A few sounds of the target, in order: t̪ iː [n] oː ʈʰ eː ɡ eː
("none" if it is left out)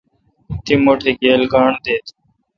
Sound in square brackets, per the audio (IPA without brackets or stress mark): m